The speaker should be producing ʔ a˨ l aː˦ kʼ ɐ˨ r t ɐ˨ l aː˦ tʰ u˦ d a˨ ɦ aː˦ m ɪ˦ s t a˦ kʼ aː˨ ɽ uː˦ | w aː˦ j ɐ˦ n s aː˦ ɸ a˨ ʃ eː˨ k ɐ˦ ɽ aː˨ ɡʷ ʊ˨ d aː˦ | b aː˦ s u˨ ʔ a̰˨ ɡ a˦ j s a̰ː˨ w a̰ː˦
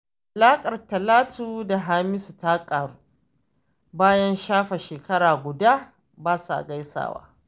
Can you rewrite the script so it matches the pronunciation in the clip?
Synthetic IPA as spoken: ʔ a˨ l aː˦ kʼ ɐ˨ r t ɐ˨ l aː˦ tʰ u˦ d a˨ ɦ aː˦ m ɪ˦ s t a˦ kʼ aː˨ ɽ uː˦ | b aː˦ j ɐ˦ n ʃ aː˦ ɸ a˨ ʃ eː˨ k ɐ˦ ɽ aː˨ ɡʷ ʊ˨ d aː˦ | b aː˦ s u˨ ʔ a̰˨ ɡ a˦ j s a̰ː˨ w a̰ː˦